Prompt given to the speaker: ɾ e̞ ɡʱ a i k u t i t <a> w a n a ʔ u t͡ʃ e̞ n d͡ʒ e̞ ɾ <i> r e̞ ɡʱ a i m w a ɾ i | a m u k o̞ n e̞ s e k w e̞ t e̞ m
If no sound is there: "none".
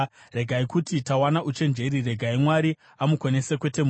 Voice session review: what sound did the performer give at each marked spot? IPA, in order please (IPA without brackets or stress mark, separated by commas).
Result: a, i